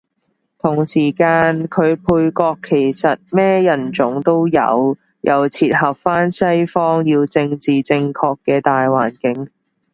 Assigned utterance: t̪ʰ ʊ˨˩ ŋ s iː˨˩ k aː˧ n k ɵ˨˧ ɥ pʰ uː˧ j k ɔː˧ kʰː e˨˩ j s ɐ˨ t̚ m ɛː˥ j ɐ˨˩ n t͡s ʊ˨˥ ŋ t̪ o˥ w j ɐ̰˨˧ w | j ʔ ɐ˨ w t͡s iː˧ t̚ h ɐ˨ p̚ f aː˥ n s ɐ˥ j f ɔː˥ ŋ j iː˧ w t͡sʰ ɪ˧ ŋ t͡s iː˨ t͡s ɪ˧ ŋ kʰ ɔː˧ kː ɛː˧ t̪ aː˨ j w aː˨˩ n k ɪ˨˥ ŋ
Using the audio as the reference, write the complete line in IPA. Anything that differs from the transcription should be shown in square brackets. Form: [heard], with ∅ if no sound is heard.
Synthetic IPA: t̪ʰ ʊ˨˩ ŋ s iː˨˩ k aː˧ n [kʰ] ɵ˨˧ ɥ pʰ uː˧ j k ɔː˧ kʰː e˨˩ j s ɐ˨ t̚ m ɛː˥ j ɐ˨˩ n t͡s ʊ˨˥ ŋ t̪ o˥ w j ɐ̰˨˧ w | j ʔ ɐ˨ w [t͡sʰ] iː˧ t̚ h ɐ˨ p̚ f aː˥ n s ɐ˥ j f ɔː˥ ŋ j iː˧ w [t͡s] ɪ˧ ŋ t͡s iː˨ t͡s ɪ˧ ŋ kʰ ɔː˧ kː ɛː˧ t̪ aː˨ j w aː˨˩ n k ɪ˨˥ ŋ